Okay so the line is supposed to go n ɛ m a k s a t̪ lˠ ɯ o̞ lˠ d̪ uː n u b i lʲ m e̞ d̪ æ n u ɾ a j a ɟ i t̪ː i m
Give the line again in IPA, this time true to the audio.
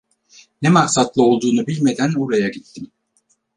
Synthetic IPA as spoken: n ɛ m a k s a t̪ lˠ ɯ o̞ lˠ d̪ uː n u b i lʲ m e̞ d̪ æ n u ɾ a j a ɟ i t̪ː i m